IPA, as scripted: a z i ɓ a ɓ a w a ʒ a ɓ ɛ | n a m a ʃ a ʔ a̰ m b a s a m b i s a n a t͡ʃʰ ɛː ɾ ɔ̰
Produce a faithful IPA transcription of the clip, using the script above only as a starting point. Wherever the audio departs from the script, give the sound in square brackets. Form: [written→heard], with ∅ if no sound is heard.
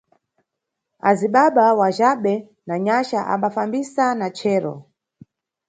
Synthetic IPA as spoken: a z i ɓ a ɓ a w a ʒ a ɓ ɛ | n a [m→ɲ] a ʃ a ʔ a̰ m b a [s→f] a m b i s a n a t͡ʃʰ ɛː ɾ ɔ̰